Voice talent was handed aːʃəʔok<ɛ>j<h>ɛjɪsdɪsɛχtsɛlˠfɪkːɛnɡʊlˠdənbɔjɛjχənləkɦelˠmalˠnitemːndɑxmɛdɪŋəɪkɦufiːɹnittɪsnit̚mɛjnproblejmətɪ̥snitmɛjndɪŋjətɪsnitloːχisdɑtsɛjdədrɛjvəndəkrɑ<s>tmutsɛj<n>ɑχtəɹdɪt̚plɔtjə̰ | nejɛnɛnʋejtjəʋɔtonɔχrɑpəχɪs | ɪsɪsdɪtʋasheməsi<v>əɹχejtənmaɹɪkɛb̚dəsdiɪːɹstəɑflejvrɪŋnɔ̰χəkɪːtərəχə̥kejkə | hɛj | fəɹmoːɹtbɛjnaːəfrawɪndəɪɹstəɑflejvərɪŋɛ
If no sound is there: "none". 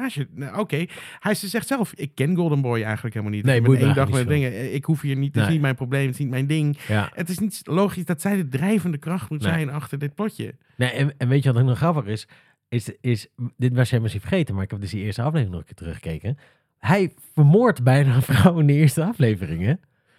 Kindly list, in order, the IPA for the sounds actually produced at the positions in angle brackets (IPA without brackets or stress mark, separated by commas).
e, h, χ, n, f